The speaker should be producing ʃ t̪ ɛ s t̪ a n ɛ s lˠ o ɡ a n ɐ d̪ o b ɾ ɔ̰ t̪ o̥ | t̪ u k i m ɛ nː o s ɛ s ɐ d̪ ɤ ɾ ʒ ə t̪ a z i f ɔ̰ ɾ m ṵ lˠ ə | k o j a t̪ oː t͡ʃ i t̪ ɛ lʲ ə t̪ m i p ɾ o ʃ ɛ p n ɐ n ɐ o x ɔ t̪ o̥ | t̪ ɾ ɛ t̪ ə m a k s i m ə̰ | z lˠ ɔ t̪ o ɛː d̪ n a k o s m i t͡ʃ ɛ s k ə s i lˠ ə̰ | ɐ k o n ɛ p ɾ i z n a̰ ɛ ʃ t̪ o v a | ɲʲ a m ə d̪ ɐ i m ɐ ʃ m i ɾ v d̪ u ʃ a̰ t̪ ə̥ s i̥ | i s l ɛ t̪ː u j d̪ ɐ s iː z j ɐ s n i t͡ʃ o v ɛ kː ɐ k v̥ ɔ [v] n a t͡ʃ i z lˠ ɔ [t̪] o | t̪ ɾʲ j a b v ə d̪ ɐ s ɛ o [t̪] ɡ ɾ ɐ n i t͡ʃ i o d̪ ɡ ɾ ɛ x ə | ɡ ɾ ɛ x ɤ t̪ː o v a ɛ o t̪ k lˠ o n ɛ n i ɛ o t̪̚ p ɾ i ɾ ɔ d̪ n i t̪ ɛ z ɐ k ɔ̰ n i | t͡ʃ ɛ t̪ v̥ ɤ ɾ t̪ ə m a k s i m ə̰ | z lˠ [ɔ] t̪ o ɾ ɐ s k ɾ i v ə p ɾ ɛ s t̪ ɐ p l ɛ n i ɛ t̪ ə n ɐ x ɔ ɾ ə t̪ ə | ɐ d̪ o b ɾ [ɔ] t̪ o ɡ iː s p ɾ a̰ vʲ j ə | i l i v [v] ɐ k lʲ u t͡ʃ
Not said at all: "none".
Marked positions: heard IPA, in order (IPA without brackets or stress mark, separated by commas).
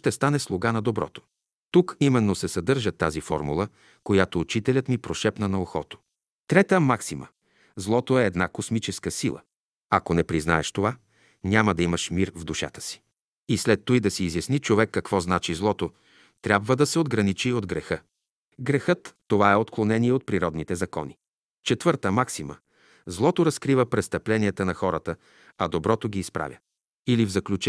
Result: z, t̪, d̪, ɔ, ɔ, z